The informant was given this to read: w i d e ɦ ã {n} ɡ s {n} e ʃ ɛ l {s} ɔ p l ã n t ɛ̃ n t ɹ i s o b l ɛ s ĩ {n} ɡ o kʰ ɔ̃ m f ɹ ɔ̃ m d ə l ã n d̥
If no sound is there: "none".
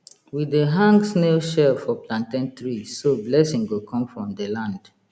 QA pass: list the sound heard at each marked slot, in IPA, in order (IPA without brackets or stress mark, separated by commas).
ŋ, n, f, ŋ